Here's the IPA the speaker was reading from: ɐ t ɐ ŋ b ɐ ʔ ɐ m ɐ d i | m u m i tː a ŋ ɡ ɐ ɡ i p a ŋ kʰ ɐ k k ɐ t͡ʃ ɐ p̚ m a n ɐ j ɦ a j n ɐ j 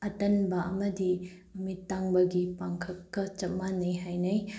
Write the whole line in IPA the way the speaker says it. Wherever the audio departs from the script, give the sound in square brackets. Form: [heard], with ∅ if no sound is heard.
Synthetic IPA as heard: ɐ t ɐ [n] b ɐ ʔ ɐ m ɐ d i | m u m i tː a ŋ [b] ɐ ɡ i p a ŋ kʰ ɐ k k ɐ t͡ʃ ɐ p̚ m a n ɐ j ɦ a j n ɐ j